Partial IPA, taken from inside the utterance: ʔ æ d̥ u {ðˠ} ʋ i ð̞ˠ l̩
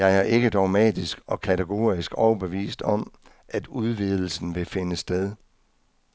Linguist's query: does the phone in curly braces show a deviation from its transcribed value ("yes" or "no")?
no